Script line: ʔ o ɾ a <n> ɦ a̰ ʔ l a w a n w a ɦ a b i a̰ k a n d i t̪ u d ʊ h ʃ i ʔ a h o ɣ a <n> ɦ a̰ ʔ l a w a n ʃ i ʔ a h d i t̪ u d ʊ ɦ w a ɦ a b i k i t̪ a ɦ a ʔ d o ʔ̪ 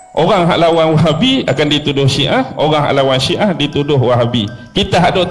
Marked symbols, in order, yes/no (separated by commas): no, no